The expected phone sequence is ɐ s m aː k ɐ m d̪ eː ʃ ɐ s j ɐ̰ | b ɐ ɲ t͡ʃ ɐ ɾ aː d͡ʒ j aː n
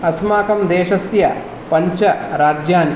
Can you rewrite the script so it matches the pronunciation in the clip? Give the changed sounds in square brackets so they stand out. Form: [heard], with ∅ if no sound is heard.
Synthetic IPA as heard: ɐ s m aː k ɐ m d̪ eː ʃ ɐ s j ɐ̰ | [p] ɐ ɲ t͡ʃ ɐ ɾ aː d͡ʒ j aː n

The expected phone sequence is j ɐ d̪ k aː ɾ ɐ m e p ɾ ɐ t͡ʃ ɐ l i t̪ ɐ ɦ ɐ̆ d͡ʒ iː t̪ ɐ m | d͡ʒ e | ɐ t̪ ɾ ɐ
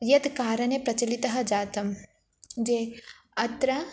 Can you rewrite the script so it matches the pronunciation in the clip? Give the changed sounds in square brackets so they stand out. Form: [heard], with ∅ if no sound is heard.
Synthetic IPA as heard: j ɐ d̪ k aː ɾ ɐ [n] e p ɾ ɐ t͡ʃ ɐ l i t̪ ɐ ɦ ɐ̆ d͡ʒ [aː] t̪ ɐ m | d͡ʒ e | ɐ t̪ ɾ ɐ

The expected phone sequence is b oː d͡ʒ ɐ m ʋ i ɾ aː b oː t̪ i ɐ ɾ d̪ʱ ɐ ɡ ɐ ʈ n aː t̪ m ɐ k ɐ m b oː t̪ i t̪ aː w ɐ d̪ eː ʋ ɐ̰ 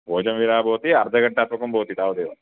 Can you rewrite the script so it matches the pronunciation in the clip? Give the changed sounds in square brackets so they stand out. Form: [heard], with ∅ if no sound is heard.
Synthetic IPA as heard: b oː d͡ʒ ɐ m ʋ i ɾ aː b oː t̪ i ɐ ɾ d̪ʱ ɐ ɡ ɐ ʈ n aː t̪ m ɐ k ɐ m b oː t̪ i t̪ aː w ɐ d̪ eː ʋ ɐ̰

